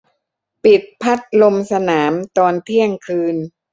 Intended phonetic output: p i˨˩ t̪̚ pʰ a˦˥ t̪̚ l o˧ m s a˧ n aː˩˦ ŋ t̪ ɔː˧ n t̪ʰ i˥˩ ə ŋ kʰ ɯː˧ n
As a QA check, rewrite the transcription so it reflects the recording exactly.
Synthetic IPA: p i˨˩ t̪̚ pʰ a˦˥ t̪̚ l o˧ m s a˧ n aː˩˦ m t̪ ɔː˧ n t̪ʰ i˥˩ ə ŋ kʰ ɯː˧ n